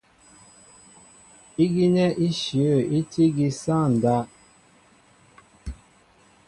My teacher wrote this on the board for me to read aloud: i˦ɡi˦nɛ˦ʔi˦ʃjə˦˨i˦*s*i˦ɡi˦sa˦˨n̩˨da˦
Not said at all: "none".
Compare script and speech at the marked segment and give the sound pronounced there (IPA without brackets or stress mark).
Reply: t